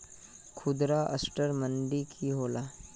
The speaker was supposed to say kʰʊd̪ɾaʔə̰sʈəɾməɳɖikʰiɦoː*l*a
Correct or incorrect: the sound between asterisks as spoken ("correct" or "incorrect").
correct